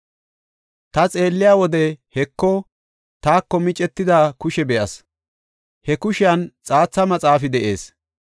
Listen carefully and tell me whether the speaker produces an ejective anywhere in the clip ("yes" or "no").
yes